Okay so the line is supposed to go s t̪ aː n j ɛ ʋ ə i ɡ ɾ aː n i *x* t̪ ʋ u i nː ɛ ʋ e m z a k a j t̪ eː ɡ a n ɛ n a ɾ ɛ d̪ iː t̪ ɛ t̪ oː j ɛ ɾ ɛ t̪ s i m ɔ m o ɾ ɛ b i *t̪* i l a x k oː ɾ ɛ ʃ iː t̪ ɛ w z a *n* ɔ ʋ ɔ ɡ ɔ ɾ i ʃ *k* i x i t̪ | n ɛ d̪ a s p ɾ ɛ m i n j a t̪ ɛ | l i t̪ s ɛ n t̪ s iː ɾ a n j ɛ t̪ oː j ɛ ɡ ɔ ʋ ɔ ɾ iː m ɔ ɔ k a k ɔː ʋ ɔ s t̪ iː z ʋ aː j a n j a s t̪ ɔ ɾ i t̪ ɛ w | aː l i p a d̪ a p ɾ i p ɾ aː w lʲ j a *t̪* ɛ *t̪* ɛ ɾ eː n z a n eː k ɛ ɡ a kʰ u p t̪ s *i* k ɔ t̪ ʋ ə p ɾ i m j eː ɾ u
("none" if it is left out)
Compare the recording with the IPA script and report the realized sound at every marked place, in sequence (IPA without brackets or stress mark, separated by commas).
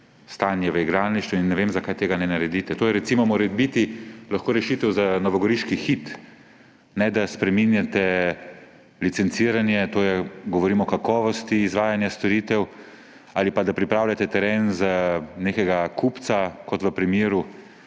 ʃ, t̪, n, k, t̪, t̪, a